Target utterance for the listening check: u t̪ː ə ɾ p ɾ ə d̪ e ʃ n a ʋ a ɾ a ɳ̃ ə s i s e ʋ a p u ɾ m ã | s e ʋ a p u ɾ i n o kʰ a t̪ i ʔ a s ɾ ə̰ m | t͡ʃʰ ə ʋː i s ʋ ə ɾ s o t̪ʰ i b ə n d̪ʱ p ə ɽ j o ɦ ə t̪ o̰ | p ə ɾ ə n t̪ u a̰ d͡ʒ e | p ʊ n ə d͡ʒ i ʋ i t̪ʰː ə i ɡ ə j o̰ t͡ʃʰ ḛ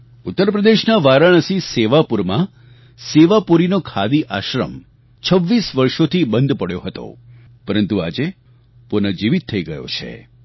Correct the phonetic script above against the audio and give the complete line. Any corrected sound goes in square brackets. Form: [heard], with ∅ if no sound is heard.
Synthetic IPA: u t̪ː ə ɾ p ɾ ə d̪ e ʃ n a ʋ a ɾ a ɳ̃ ə s i s e ʋ a p u ɾ m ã | s e ʋ a p u ɾ i n o kʰ a [d̪] i ʔ a [ʃ] ɾ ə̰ m | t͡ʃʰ ə ʋː i s ʋ ə ɾ [ʃ] o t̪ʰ i b ə n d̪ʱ p ə ɽ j o ɦ ə t̪ o̰ | p ə ɾ ə n t̪ u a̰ d͡ʒ e | p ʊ n ə d͡ʒ i ʋ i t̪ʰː ə i ɡ ə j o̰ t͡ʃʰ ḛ